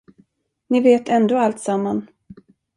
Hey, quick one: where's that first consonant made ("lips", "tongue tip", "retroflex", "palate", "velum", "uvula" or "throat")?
tongue tip